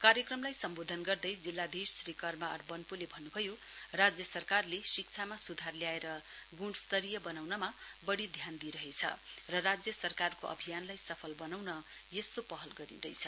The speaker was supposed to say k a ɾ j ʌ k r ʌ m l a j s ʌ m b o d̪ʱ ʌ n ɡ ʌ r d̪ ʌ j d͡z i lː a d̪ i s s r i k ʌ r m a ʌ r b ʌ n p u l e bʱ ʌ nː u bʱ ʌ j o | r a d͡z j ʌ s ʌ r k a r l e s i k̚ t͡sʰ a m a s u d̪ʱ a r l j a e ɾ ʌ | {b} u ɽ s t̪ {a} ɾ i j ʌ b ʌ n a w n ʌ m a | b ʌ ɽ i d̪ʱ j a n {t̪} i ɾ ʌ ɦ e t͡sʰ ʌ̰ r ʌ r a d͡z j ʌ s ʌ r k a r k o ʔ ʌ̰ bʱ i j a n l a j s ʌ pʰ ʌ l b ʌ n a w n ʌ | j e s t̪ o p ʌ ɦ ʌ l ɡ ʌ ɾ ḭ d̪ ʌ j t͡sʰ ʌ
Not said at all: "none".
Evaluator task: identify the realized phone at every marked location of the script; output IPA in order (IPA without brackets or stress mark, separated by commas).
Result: ɡ, ʌ, d̪